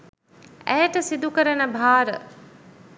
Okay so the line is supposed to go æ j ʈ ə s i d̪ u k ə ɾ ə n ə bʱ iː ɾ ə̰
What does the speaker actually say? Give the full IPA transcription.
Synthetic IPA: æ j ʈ ə s i d̪ u k ə ɾ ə n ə bʱ aː ɾ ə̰